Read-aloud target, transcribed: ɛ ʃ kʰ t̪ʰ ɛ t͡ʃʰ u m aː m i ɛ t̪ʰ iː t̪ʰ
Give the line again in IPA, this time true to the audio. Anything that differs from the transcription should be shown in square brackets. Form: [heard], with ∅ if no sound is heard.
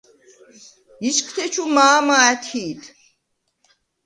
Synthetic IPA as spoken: [i] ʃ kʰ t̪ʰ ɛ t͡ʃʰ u m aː m [a] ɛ t̪ʰ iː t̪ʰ